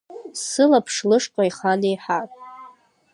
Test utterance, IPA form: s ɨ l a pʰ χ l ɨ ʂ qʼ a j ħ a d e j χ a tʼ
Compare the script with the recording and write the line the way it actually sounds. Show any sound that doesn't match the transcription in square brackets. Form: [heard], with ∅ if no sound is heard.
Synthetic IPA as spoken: s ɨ l a pʰ [ʂ] l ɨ ʂ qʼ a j [χ] a [n] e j [ħ] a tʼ